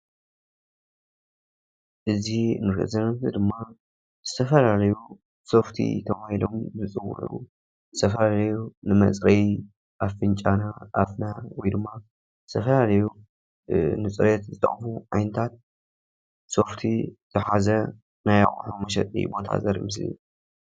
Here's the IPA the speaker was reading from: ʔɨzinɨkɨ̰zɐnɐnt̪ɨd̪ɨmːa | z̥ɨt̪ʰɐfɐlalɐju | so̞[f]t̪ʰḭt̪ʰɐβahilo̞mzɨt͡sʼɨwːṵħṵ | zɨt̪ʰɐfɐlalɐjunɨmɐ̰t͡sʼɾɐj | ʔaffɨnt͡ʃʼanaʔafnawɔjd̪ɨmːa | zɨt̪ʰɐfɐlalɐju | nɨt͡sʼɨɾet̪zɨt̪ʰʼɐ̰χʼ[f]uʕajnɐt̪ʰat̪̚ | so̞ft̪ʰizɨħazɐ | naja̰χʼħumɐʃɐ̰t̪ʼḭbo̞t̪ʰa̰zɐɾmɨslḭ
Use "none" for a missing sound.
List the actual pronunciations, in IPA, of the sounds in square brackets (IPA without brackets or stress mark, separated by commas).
f, f